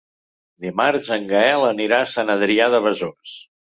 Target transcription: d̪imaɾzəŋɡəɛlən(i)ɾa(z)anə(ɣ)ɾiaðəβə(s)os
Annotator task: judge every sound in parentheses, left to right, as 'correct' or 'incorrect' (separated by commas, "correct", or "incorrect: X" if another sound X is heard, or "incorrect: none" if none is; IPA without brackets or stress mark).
correct, incorrect: s, incorrect: ð, incorrect: z